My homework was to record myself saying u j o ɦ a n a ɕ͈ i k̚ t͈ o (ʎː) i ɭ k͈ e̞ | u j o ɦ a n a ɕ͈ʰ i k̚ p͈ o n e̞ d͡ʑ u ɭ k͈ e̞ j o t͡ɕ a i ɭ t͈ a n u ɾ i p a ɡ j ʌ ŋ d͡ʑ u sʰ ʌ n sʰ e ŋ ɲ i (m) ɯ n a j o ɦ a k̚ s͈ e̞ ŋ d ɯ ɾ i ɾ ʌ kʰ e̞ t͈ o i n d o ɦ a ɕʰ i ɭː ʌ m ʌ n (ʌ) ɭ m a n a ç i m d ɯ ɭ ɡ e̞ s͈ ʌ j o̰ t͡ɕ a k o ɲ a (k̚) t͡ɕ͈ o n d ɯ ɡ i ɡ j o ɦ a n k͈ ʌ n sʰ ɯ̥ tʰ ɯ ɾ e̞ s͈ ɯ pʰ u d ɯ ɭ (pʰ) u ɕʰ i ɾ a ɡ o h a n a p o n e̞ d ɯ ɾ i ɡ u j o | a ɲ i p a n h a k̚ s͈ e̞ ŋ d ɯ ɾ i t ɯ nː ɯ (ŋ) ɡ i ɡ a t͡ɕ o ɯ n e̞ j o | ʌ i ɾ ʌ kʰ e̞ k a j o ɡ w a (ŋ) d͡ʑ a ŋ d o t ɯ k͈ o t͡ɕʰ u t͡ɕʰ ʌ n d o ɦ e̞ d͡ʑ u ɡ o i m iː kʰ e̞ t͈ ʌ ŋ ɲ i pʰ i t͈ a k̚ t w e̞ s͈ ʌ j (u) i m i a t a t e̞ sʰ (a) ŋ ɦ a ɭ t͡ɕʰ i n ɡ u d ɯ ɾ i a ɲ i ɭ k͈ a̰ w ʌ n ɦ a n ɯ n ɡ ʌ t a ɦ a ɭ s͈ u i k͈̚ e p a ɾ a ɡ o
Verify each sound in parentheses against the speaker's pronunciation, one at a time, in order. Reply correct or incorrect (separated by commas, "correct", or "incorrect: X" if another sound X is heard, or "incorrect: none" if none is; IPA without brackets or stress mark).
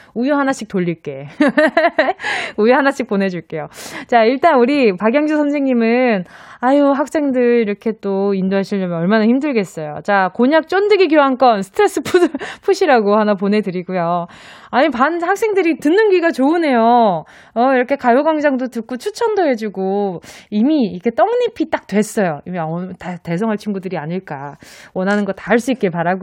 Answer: correct, correct, correct, correct, correct, incorrect: n, correct, incorrect: o, incorrect: ʌ